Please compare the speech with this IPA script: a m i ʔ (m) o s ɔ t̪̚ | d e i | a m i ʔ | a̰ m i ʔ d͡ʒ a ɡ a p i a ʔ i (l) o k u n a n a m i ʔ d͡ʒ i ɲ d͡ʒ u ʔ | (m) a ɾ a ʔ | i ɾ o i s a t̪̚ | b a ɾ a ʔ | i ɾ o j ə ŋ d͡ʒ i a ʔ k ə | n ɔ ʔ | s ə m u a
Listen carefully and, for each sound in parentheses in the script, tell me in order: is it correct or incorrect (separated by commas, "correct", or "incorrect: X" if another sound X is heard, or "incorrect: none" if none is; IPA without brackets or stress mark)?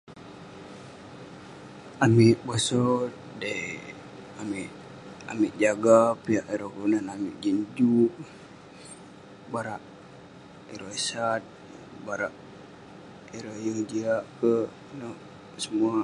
incorrect: b, incorrect: ɾ, incorrect: b